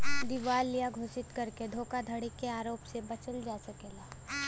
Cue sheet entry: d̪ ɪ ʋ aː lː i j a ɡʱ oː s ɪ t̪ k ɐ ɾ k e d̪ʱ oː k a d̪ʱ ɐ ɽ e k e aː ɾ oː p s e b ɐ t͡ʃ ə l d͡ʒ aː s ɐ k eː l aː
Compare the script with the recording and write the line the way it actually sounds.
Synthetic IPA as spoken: d̪ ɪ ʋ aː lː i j a ɡʱ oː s ɪ t̪ k ɐ ɾ k e d̪ʱ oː k a d̪ʱ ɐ ɽ i k e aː ɾ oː p s e b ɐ t͡ʃ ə l d͡ʒ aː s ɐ k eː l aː